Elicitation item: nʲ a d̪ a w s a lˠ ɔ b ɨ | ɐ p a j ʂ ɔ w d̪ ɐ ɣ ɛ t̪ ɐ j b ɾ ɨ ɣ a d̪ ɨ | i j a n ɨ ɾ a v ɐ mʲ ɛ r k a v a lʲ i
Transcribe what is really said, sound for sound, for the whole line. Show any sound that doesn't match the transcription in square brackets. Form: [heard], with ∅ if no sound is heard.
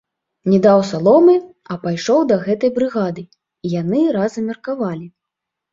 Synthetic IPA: nʲ [ɛ] d̪ a w s a lˠ ɔ [m] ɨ | ɐ p a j ʂ ɔ w d̪ ɐ ɣ ɛ t̪ ɐ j b ɾ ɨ ɣ a d̪ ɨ | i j a n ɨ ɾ a [z] ɐ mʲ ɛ r k a v a lʲ i